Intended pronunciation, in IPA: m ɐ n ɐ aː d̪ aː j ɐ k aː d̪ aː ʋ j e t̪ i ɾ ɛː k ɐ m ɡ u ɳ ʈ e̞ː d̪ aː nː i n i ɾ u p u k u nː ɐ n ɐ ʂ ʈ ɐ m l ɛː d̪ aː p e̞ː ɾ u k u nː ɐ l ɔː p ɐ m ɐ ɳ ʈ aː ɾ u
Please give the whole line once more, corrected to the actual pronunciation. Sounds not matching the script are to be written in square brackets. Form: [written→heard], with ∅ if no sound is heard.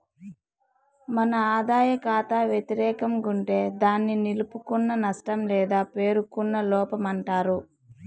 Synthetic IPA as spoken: m ɐ n ɐ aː d̪ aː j ɐ k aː [d̪→t̪] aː ʋ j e t̪ i ɾ ɛː k ɐ m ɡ u ɳ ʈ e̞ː d̪ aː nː i n i [ɾ→l] u p u k u nː ɐ n ɐ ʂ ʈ ɐ m l ɛː d̪ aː p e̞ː ɾ u k u nː ɐ l ɔː p ɐ m ɐ ɳ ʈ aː ɾ u